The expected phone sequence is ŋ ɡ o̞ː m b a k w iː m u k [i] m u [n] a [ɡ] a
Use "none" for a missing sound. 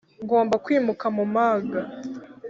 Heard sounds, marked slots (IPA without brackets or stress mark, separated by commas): a, m, ɡ